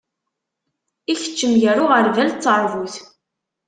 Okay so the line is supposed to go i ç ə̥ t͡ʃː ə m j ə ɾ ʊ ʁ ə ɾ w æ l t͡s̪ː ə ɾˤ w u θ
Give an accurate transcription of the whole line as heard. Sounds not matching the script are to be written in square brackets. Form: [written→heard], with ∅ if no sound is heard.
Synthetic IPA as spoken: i ç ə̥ t͡ʃː ə m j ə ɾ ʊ ʁ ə ɾ [w→v] æ l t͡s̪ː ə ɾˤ [w→v] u θ